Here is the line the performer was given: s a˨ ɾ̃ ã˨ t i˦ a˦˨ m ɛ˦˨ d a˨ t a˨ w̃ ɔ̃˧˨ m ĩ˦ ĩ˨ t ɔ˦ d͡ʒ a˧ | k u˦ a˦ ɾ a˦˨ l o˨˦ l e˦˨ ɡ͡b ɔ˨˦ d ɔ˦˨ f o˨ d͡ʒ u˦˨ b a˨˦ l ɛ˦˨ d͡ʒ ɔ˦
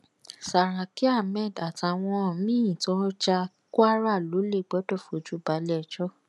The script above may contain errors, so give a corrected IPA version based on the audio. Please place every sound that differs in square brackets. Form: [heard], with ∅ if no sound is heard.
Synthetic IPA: s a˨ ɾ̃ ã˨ [k] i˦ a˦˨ m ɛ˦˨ d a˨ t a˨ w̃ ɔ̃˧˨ m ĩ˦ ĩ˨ t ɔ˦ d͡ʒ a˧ | k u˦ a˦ ɾ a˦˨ l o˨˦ l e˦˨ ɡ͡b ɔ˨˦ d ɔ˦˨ f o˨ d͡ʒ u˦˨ b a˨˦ l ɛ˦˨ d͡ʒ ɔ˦